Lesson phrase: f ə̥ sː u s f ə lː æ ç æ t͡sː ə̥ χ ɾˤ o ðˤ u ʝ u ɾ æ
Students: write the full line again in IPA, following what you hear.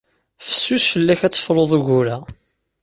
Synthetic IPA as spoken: f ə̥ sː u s f ə lː æ ç æ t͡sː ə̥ f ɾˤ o ðˤ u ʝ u ɾ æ